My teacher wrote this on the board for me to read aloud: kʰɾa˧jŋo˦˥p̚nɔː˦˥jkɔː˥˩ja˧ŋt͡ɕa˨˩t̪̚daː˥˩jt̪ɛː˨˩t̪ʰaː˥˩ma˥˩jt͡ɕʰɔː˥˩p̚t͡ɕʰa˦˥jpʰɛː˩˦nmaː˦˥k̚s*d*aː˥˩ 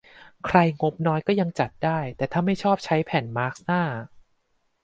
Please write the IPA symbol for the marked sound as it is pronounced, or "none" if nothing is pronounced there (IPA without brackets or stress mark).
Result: n